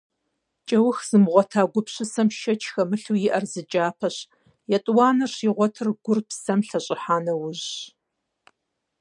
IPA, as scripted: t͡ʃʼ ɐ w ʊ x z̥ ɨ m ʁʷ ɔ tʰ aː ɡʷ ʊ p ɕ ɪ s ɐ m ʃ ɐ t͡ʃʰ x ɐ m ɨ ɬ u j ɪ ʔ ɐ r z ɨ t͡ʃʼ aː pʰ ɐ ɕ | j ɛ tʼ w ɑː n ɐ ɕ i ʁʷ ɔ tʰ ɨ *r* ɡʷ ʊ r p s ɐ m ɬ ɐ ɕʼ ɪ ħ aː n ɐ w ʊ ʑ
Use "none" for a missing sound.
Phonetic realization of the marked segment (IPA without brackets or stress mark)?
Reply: r